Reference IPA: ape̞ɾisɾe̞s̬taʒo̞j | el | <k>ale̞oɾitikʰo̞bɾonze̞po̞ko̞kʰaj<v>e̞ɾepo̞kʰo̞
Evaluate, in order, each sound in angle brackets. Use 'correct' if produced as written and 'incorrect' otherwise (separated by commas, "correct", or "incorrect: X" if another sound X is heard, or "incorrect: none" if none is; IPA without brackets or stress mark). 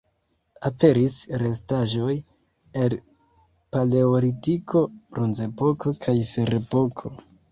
incorrect: p, incorrect: f